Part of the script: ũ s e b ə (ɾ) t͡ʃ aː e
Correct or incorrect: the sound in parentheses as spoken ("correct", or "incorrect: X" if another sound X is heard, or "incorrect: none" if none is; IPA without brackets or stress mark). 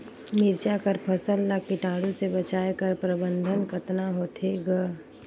incorrect: none